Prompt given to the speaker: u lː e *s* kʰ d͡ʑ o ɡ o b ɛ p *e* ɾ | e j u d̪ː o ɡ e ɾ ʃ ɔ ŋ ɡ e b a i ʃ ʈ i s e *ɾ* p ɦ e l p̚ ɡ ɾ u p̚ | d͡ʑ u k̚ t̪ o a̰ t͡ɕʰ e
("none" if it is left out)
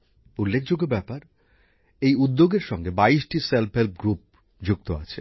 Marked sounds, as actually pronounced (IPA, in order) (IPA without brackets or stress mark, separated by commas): none, a, l